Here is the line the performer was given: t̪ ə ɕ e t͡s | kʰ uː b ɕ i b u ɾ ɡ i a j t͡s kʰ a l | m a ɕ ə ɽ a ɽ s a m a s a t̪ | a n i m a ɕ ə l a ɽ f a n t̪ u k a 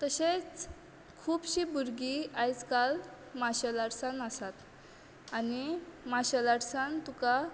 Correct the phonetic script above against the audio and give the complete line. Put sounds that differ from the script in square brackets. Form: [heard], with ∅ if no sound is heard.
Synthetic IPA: t̪ ə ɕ e t͡s | kʰ uː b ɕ i b u ɾ ɡ i a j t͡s [k] a l | m a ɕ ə [l] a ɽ s a [n] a s a t̪ | a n i m a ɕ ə l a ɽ [s] a n t̪ u k a

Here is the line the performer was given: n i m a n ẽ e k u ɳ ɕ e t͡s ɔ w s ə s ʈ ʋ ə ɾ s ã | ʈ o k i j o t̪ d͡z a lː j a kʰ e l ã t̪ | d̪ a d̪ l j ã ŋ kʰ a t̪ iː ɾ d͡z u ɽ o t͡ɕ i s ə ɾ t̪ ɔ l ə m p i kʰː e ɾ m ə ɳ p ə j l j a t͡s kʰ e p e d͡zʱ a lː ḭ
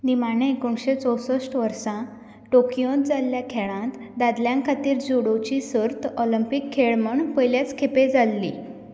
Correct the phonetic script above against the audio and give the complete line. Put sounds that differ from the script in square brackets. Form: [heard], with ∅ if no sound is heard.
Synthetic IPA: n i m a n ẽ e k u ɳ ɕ e t͡s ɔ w s ə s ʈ ʋ ə ɾ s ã | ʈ o k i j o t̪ d͡z a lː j a kʰ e [ɭ] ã t̪ | d̪ a d̪ l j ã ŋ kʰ a t̪ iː ɾ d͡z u ɽ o t͡ɕ i s ə ɾ t̪ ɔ l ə m p i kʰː e [ɭ] m ə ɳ p ə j l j a t͡s kʰ e p e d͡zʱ a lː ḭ

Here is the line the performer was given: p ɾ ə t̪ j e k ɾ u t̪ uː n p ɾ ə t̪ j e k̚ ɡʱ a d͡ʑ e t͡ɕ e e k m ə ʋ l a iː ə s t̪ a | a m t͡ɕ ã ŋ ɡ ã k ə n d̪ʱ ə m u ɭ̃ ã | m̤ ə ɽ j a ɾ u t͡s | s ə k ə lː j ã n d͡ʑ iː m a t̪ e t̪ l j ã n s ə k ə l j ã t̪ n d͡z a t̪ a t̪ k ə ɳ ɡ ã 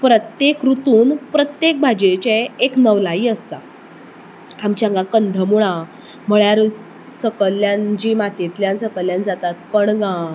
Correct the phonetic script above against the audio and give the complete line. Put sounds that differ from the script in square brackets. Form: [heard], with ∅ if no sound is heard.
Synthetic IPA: p ɾ ə t̪ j e k ɾ u t̪ uː n p ɾ ə t̪ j e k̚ [bʱ] a d͡ʑ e t͡ɕ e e k [n] ə ʋ l a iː ə s t̪ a | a m t͡ɕ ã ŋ ɡ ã k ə n d̪ʱ ə m u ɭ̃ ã | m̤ ə [ɭ] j a ɾ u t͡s | s ə k ə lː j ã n d͡ʑ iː m a t̪ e t̪ l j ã n s ə k ə l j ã [∅] n d͡z a t̪ a t̪ k ə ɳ ɡ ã

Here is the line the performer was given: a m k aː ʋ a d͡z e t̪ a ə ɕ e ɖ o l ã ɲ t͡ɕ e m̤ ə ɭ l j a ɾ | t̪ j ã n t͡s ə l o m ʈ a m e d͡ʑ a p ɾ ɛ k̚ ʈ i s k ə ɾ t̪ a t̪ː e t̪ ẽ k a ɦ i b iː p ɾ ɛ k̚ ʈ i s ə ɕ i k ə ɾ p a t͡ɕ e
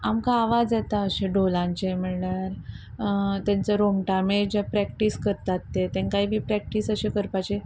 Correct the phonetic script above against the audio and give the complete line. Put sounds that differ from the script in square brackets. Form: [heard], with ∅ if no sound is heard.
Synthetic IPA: a m k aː ʋ a d͡z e t̪ a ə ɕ e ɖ o l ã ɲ t͡ɕ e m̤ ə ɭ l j a ɾ | t̪ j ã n t͡s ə [ɾ] o m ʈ a m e d͡ʑ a p ɾ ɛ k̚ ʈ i s k ə ɾ t̪ a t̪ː e t̪ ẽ k a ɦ i b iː p ɾ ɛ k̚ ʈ i s ə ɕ [e] k ə ɾ p a t͡ɕ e

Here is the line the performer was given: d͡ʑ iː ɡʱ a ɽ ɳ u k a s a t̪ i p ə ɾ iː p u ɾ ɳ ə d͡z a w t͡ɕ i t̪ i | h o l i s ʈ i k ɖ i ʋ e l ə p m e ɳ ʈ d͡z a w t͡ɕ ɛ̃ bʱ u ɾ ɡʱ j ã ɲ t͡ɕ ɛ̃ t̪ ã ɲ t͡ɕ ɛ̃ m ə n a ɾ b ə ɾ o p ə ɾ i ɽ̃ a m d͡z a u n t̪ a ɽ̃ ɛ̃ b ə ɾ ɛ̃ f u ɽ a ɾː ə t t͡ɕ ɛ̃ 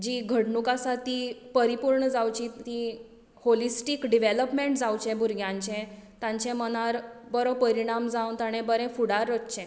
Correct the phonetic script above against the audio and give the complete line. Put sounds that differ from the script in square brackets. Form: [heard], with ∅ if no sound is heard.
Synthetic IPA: d͡ʑ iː ɡʱ [ə] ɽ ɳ u k a s a t̪ i p ə ɾ [i] p u ɾ ɳ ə d͡z a w t͡ɕ i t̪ i | h o l i s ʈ i k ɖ i ʋ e l ə p m e ɳ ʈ d͡z a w t͡ɕ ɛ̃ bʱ u ɾ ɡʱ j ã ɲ t͡ɕ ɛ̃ t̪ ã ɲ t͡ɕ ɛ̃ m ə n a ɾ b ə ɾ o p ə ɾ i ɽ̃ a m d͡z a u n t̪ a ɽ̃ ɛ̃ b ə ɾ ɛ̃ f u ɽ a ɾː ə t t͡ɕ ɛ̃

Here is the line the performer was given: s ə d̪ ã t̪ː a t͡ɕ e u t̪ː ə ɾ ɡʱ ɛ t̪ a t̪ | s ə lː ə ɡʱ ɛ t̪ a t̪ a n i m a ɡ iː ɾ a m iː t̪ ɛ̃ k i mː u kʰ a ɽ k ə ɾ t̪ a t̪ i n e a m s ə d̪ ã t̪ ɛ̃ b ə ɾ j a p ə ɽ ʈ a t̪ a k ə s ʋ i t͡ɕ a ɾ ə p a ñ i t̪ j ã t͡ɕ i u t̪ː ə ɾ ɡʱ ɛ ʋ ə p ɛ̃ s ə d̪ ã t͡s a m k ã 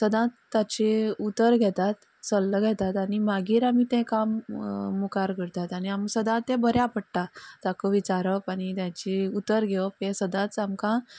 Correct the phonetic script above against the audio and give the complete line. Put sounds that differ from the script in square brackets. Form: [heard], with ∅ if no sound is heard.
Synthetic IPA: s ə d̪ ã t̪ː a t͡ɕ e u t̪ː ə ɾ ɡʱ ɛ t̪ a t̪ | s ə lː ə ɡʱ ɛ t̪ a t̪ a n i m a ɡ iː ɾ a m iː t̪ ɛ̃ k [a] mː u [k] a [ɾ] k ə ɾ t̪ a t̪ [a] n [i] a m s ə d̪ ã t̪ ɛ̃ b ə ɾ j a p ə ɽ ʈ a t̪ a k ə [∅] ʋ i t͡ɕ a ɾ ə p a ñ i t̪ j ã t͡ɕ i u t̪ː ə ɾ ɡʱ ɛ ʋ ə p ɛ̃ s ə d̪ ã t͡s a m k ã

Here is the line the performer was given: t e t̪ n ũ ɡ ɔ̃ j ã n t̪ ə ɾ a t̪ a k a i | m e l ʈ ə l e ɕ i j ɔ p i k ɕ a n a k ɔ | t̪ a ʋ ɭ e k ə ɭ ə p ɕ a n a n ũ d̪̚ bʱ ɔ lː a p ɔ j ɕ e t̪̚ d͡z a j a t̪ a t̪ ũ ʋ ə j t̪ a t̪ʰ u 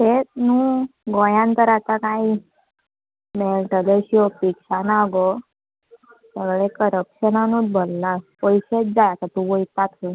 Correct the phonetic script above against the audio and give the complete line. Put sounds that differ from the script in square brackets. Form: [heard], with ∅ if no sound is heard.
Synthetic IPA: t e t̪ n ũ ɡ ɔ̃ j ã n t̪ ə ɾ a t̪ a k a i | m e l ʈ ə l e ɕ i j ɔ p i k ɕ a n a [ɡ] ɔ | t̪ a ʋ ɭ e k ə [ɾ] ə p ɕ [ə] n a n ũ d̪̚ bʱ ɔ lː a p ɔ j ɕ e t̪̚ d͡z a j a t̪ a t̪ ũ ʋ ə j t̪ a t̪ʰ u

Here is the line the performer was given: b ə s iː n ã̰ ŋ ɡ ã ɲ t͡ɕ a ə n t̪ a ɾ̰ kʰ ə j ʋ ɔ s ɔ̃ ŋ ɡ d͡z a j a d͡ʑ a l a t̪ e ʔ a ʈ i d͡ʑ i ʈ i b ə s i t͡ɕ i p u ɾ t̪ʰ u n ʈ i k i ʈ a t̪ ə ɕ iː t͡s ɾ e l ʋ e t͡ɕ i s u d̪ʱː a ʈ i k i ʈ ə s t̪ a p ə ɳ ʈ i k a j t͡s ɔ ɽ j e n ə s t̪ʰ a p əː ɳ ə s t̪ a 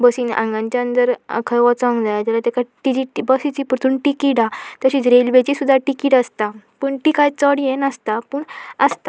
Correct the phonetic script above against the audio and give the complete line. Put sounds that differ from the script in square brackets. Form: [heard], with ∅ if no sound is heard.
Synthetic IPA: b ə s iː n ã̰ ŋ ɡ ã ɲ t͡ɕ a ə n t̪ [ə] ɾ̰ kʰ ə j ʋ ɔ [t͡s] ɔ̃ ŋ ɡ d͡z a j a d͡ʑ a l a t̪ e [k] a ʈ i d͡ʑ i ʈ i b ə s i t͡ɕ i p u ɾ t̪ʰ u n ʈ i k i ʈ a t̪ ə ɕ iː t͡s ɾ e l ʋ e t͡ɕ i s u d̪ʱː a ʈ i k i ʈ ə s t̪ a p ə ɳ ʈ i k a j t͡s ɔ ɽ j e n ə s [t̪] a p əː ɳ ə s t̪ a

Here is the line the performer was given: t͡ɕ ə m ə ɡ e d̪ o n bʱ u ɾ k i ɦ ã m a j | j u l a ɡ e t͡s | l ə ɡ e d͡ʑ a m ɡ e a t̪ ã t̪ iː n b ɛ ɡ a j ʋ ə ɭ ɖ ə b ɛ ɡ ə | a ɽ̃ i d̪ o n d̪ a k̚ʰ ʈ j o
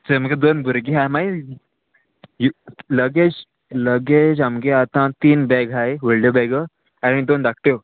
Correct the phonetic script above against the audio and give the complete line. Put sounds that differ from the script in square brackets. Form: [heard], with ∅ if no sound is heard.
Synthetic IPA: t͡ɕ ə m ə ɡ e d̪ o n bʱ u ɾ [ɡ] i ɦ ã m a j | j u l [ə] ɡ e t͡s | l ə ɡ e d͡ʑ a m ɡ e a t̪ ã t̪ iː n b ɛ ɡ a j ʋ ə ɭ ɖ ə b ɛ ɡ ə | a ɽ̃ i d̪ o n d̪ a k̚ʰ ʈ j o

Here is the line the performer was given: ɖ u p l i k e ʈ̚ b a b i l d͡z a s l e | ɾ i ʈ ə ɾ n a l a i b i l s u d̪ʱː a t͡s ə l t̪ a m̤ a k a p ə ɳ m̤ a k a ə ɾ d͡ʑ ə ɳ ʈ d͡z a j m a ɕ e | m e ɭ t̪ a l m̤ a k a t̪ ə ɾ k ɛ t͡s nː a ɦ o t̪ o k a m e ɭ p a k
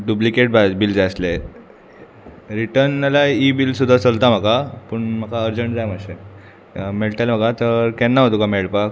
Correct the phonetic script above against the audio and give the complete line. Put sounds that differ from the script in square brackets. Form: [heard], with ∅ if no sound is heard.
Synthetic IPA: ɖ u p l i k e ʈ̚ b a b i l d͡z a s l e | ɾ i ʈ ə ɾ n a l a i b i l s u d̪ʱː a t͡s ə l t̪ a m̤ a k a p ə ɳ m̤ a k a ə ɾ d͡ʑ ə ɳ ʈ d͡z a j m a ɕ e | m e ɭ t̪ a l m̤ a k a t̪ ə ɾ k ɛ [∅] nː a ɦ o t̪ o k a m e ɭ p a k

